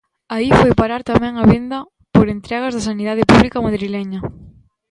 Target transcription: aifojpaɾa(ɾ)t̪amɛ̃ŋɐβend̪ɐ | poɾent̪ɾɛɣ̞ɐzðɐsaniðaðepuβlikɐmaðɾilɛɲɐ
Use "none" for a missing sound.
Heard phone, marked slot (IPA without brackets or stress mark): ɾ